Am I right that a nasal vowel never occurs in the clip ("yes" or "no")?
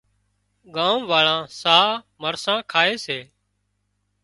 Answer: no